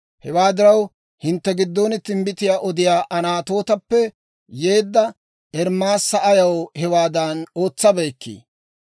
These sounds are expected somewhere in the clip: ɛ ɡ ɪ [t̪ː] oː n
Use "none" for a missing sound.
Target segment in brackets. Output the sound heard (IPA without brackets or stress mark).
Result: d̪ː